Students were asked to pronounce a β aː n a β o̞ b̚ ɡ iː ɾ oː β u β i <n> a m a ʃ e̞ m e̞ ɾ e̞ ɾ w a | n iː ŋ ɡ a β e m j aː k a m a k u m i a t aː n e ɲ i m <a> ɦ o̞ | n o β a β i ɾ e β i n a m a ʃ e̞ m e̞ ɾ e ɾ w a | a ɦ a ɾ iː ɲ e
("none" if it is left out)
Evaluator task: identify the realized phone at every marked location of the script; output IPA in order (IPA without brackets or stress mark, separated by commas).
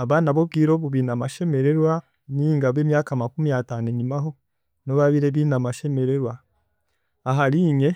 n, a